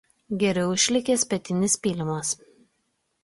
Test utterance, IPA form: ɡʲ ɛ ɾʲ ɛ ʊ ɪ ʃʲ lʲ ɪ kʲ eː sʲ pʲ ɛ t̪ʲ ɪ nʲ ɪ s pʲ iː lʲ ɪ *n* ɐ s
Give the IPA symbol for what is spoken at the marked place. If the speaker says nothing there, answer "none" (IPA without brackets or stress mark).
m